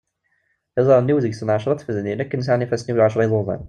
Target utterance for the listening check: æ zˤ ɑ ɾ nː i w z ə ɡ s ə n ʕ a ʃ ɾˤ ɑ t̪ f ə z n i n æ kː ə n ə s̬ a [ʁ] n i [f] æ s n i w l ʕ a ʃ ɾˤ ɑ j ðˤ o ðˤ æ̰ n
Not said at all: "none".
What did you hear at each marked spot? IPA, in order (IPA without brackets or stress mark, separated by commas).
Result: ʕ, f